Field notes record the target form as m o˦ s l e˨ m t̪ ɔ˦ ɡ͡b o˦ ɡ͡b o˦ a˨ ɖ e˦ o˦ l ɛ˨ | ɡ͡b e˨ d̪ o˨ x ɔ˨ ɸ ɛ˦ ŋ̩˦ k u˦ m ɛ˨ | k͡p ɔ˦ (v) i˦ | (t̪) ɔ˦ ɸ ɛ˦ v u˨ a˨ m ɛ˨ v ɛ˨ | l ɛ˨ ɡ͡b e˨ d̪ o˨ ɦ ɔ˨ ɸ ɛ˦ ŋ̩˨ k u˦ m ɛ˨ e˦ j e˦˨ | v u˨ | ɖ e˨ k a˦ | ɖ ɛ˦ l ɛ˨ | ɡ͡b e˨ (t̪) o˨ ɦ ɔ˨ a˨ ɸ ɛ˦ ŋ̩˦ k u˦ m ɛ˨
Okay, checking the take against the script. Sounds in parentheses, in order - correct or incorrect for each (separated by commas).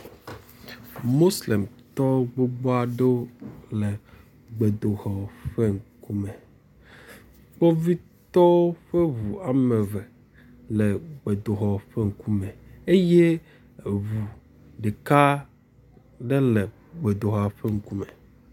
correct, correct, incorrect